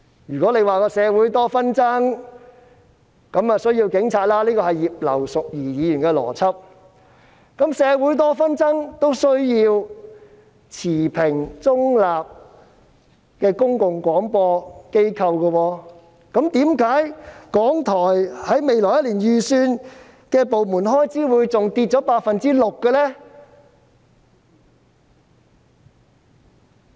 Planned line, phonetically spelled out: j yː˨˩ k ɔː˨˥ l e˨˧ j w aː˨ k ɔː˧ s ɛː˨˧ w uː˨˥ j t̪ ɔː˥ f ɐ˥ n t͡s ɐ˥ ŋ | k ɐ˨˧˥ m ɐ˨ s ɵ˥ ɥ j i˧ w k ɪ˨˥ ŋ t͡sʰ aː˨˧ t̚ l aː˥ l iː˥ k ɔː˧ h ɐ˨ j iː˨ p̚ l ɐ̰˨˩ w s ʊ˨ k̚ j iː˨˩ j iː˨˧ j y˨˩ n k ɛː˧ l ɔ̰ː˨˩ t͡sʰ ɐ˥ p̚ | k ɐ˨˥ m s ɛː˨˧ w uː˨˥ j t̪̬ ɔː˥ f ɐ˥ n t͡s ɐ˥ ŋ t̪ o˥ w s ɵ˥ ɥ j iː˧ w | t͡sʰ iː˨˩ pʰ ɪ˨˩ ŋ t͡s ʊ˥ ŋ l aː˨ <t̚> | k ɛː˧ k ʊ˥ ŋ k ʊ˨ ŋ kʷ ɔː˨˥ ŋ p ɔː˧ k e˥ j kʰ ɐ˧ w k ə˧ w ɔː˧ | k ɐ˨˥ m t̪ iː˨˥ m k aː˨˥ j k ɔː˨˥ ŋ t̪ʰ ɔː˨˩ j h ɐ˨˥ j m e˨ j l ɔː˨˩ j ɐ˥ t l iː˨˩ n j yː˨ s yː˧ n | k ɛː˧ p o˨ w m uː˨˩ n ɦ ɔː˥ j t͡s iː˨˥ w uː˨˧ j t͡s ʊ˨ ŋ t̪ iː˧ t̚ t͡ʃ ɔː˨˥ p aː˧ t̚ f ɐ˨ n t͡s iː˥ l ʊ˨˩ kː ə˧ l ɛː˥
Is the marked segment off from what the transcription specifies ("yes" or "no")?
yes